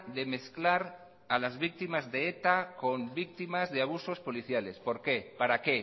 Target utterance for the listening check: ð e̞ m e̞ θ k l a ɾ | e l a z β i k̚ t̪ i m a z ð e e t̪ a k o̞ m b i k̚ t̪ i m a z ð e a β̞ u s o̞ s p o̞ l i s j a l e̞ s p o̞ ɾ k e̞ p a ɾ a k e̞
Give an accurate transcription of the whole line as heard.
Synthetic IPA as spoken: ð e̞ m e̞ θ k l a ɾ | a l a z β i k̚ t̪ i m a z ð e e t̪ a k o̞ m b i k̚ t̪ i m a z ð e a β̞ u s o̞ s p o̞ l i θ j a l e̞ s p o̞ ɾ k e̞ p a ɾ a k e̞